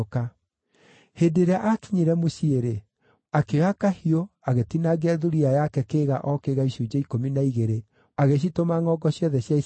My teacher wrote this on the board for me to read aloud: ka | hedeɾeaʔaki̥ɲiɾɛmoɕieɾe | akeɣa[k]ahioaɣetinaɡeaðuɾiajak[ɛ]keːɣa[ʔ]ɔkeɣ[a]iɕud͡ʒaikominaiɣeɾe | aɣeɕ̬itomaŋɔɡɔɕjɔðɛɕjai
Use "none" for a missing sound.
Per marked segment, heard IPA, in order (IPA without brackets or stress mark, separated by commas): k, ɛ, ʔ, a